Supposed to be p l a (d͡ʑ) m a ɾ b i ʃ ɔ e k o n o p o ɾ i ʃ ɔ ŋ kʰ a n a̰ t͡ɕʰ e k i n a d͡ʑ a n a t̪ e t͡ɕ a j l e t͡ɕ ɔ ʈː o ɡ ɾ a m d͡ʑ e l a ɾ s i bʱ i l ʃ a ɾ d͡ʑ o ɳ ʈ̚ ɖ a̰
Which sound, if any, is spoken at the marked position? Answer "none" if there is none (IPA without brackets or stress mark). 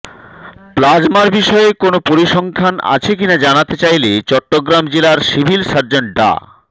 d͡ʑ